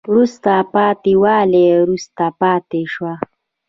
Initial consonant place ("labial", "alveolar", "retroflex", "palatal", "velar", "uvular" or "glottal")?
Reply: alveolar